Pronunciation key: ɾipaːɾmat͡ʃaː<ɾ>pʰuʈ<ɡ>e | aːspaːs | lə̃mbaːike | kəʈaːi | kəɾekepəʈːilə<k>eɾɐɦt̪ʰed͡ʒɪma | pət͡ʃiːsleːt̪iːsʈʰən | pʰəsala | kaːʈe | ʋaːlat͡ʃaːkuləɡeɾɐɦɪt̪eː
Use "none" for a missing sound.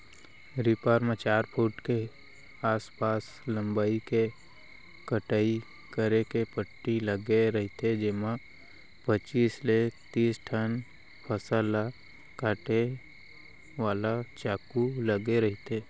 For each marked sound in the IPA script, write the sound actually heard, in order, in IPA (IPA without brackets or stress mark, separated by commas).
ɾ, k, ɡ